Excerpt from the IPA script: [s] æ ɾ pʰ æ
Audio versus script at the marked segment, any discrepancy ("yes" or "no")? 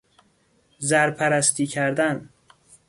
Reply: yes